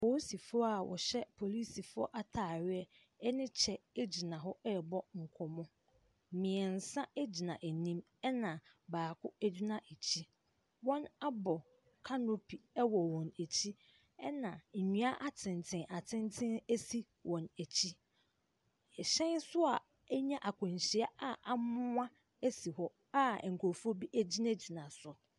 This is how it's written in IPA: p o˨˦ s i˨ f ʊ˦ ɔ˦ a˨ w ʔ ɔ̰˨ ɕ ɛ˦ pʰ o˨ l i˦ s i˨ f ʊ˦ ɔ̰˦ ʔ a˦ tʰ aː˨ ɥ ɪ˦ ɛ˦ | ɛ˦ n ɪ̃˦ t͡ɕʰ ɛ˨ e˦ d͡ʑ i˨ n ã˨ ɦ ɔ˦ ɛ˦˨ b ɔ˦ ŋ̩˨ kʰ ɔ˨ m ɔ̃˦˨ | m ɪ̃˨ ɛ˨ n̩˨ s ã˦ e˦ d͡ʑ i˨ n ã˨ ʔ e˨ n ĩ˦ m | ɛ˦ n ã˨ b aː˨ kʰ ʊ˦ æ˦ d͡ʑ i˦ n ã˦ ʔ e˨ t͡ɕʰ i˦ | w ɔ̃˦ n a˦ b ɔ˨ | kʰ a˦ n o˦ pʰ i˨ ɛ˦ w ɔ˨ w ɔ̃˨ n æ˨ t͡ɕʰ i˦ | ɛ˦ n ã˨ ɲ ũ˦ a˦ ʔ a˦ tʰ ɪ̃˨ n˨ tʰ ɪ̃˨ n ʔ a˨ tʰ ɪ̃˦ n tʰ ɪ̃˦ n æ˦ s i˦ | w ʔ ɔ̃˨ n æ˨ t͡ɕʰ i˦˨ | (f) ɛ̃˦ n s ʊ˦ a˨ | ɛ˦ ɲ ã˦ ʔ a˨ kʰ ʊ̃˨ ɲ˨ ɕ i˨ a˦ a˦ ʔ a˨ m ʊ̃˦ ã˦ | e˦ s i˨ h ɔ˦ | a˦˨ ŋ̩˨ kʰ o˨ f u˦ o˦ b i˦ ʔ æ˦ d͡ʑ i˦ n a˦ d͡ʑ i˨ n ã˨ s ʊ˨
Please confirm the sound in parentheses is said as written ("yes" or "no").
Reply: no